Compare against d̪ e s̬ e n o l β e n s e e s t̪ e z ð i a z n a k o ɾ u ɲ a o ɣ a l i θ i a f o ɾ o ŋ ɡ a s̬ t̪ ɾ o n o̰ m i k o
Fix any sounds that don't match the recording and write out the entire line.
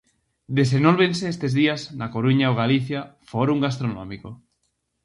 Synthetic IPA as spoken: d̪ e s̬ e n o l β e n s e e s t̪ e z ð i a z n a k o ɾ u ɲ a o ɣ a l i θ j a f o ɾ u ŋ ɡ a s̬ t̪ ɾ o n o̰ m i k o